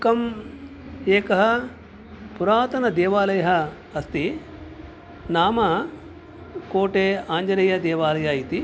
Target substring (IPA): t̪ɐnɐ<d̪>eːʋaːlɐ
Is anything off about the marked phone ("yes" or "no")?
no